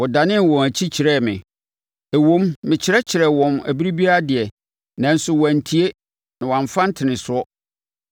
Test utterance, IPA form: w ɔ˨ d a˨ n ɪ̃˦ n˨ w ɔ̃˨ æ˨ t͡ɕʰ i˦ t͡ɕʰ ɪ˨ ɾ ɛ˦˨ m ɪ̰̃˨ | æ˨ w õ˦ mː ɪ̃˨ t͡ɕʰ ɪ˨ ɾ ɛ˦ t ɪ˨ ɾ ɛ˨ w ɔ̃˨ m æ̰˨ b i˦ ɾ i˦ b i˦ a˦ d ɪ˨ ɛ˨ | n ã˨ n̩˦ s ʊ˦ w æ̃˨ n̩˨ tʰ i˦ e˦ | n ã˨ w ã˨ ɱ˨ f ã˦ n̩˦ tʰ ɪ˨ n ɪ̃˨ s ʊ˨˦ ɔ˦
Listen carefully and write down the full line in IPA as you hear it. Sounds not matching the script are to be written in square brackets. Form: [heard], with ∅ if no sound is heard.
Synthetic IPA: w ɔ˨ d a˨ n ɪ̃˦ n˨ w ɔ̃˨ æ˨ t͡ɕʰ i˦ t͡ɕʰ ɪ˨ ɾ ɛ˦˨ m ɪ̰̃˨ | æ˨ w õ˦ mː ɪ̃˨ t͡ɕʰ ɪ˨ ɾ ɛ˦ [t͡ɕʰ] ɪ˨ ɾ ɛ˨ w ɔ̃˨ m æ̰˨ b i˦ ɾ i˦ b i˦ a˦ d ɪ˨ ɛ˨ | n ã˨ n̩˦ s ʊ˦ w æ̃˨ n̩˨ tʰ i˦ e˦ | n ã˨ w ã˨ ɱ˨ f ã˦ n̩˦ tʰ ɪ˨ n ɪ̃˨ s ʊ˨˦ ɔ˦